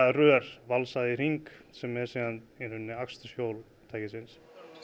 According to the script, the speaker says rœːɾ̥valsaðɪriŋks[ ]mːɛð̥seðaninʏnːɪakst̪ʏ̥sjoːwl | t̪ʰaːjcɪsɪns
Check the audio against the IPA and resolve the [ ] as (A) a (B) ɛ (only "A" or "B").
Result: B